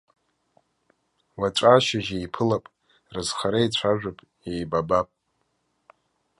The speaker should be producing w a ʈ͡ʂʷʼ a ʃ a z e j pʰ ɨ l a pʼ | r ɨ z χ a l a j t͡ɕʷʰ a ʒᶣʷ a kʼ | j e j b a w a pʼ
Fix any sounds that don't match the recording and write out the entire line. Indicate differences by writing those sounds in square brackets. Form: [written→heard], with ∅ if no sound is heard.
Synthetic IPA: w a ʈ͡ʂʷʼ a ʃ a [z→ʒ] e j pʰ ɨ l a pʼ | r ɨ z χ a [l→ɾ] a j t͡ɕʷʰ a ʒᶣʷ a [kʼ→pʼ] | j e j b a [w→b] a pʼ